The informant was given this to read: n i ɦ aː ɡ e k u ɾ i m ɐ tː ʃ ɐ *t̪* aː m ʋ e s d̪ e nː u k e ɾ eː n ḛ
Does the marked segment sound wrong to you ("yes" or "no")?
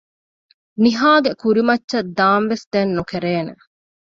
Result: yes